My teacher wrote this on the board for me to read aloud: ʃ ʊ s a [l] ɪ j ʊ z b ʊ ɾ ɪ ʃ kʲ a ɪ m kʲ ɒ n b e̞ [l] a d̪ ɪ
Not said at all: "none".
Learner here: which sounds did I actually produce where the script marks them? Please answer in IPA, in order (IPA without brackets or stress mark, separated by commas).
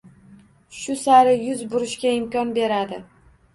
ɾ, ɾ